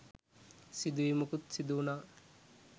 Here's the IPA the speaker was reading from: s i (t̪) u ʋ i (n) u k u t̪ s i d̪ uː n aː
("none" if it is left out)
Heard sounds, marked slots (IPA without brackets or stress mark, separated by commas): d̪, m